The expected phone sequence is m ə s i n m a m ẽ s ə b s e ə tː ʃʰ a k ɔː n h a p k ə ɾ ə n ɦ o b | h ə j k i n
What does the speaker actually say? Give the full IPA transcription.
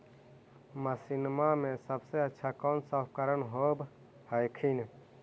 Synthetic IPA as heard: m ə s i n m a m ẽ s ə b s e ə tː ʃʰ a k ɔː n s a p k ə ɾ ə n ɦ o b | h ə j kʰ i n